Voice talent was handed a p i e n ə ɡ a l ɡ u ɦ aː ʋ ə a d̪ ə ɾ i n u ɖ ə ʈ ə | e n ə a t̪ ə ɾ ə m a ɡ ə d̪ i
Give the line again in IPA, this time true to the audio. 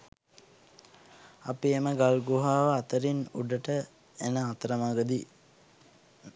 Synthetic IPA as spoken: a p i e m ə ɡ a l ɡ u ɦ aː ʋ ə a t̪ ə ɾ i n u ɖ ə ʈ ə | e n ə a t̪ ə ɾ ə m a ɡ ə d̪ i